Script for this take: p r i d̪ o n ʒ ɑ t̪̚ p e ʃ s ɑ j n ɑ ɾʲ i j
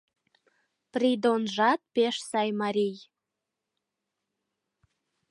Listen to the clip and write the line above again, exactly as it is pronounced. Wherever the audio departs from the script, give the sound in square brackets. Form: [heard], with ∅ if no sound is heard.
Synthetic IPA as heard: p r i d̪ o n ʒ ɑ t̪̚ p e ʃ s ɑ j [m] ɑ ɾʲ i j